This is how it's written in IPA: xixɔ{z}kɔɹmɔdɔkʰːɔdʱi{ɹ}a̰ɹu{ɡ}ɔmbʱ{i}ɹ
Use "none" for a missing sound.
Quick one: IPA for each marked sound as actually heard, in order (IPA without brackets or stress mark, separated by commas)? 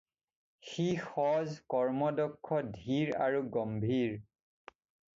z, ɹ, ɡ, i